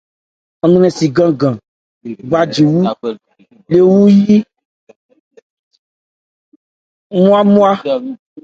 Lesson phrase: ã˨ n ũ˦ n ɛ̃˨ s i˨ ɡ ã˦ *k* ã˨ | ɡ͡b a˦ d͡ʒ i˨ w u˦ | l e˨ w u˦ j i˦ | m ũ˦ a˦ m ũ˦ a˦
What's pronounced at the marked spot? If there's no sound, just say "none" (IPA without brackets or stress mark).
ɡ